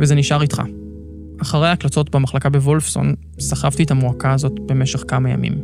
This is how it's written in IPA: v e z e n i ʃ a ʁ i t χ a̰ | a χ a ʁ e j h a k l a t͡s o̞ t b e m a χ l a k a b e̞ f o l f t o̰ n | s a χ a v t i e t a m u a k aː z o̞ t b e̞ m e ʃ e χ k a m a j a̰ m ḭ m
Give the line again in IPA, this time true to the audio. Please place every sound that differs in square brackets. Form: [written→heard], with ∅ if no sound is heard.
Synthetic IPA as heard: v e z e n i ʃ a ʁ i t χ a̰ | a χ a ʁ e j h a k l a t͡s o̞ t b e m a χ l a k a b e̞ [f→v] o l f [t→s] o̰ n | s a χ a v t i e t a m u a k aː z o̞ t b e̞ m e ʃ e χ k a m a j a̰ m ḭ m